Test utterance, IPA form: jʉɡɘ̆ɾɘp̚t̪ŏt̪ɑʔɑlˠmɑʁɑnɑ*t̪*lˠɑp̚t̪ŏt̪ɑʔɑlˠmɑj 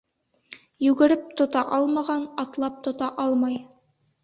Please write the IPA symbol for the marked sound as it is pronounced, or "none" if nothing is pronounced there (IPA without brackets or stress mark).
t̪